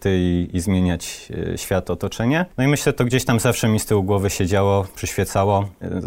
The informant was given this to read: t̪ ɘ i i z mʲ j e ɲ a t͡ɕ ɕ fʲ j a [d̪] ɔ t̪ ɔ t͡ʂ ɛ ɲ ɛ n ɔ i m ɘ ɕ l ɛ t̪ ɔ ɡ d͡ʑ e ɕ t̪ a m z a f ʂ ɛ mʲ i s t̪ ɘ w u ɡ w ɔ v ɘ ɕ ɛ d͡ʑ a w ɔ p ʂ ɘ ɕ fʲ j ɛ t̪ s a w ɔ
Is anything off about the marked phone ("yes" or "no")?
yes